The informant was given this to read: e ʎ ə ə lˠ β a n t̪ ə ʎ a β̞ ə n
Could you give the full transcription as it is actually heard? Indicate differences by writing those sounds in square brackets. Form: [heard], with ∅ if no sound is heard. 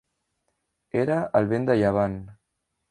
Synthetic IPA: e [ɾ] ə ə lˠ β [e] n [d̪] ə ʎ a β̞ [a] n